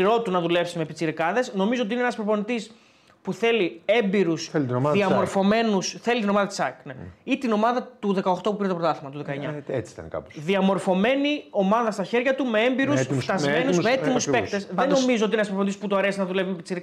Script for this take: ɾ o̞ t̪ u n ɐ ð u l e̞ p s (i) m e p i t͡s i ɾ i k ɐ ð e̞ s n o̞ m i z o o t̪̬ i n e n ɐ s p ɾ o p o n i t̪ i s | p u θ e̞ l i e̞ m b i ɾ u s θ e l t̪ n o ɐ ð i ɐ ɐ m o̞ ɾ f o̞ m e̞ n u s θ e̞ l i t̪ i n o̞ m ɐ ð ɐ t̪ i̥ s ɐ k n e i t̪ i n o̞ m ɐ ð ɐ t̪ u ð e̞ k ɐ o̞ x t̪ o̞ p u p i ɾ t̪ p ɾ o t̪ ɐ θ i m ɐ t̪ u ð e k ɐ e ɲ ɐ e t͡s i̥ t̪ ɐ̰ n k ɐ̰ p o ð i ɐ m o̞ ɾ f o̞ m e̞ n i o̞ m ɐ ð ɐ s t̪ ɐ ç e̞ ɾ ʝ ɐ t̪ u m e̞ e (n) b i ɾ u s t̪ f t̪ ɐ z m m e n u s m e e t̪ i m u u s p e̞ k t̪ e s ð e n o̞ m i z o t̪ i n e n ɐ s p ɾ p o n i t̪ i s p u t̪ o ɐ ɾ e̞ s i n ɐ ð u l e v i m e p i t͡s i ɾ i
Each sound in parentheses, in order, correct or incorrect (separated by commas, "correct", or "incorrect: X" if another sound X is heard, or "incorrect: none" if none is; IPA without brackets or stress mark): correct, incorrect: m